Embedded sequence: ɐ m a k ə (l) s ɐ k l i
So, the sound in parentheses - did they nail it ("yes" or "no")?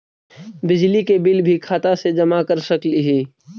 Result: no